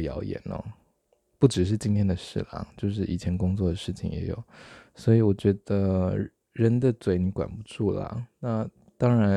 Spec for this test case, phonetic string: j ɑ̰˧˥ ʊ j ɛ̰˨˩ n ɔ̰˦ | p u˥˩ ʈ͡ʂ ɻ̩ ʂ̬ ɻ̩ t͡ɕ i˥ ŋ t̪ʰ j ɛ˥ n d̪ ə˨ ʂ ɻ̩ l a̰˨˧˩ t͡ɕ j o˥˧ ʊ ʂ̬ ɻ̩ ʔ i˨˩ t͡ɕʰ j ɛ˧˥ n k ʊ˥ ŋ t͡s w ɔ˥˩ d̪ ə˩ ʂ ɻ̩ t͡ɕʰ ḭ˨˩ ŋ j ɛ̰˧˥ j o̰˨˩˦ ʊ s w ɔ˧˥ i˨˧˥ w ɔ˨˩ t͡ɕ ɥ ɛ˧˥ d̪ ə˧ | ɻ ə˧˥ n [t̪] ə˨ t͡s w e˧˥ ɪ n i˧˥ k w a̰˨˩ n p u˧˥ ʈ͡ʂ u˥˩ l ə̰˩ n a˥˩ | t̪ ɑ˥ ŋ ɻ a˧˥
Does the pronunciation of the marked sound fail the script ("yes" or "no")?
yes